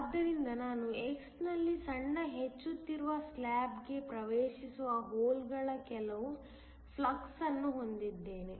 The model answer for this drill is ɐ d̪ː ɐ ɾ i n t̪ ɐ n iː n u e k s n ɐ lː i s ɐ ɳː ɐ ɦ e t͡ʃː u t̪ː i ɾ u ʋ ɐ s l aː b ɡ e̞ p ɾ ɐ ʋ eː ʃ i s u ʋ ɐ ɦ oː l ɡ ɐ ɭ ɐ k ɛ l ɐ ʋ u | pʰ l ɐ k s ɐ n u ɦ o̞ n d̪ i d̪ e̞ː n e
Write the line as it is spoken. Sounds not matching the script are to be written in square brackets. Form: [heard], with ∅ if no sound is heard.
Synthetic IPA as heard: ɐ d̪ː ɐ ɾ i n [d̪] ɐ n [aː] n u e k s n ɐ lː i s ɐ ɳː ɐ ɦ e t͡ʃː u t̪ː i ɾ u ʋ ɐ s l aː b ɡ e̞ p ɾ ɐ ʋ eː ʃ i s u ʋ ɐ ɦ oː l ɡ ɐ ɭ ɐ k ɛ l ɐ ʋ u | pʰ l ɐ k s ɐ [nː] u ɦ o̞ n d̪ i [d̪ː] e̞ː n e

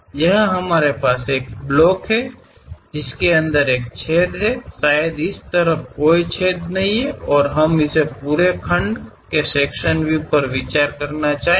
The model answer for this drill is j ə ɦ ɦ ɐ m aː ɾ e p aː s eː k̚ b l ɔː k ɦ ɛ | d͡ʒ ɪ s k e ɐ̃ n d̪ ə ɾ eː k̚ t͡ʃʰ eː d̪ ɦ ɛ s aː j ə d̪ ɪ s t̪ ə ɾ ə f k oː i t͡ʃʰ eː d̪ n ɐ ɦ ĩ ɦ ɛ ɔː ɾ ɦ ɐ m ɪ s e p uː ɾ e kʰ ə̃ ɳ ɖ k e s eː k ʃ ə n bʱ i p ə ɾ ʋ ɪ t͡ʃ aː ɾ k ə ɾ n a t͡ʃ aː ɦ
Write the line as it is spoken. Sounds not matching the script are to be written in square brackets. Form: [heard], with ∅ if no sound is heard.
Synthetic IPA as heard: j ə ɦ ɦ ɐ m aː ɾ e p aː s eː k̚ b l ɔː k ɦ ɛ | d͡ʒ ɪ s k e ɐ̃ n d̪ ə ɾ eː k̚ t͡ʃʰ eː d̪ ɦ ɛ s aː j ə d̪ ɪ s t̪ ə ɾ ə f k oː i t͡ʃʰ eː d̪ n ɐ ɦ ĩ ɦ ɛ ɔː ɾ ɦ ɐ m ɪ s e p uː ɾ e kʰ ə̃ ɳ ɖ k e s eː k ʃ ə n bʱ i p ə ɾ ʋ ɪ t͡ʃ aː ɾ k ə ɾ n a t͡ʃ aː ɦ

